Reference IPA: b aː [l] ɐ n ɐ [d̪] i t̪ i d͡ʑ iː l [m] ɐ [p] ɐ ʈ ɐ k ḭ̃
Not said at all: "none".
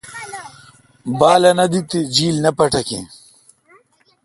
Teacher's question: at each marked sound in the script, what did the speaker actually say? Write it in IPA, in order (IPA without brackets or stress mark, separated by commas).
l, d̪, n, p